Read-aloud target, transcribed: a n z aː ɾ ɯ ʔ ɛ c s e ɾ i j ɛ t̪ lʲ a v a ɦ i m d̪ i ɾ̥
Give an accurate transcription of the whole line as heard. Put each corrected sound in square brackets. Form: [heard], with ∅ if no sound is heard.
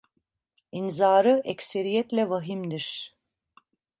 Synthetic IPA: [i] n z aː ɾ ɯ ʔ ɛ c s e ɾ i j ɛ t̪ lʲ [ɛ] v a ɦ i m d̪ i ɾ̥